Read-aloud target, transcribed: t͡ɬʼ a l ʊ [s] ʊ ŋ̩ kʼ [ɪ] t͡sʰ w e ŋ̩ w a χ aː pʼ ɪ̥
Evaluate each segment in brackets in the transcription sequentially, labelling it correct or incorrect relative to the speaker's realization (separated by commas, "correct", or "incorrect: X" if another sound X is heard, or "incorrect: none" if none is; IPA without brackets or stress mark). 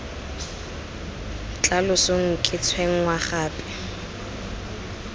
correct, correct